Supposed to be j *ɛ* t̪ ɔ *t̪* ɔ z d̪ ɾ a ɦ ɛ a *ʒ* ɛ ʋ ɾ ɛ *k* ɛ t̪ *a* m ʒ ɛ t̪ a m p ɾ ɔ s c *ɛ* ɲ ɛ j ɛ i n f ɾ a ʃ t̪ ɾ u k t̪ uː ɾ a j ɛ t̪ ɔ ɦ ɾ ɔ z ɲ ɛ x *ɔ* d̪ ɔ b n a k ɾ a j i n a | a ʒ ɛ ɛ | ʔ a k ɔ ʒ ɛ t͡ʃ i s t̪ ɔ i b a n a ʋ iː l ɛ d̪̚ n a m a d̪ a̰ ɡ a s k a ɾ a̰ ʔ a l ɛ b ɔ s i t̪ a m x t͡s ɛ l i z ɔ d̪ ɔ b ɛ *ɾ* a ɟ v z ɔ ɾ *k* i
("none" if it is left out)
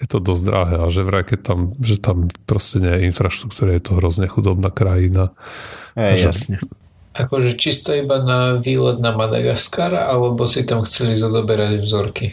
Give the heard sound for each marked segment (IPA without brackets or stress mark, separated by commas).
ɛ, d̪, ʒ, k, a, ɛ, u, ɾ, k